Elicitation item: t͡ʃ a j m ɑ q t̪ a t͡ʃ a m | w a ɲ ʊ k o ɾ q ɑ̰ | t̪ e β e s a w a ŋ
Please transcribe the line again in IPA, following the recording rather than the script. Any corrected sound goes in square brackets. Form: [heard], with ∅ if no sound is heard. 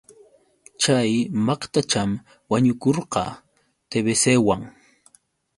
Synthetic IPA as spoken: t͡ʃ a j m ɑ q t̪ a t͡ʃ a m | w a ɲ ʊ k o ɾ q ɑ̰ | t̪ e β e s [e] w a ŋ